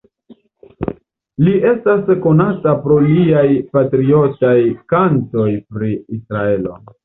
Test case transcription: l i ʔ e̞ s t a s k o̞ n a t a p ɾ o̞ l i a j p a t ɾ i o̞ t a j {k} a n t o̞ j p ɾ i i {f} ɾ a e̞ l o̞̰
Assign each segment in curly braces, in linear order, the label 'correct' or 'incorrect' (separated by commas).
correct, incorrect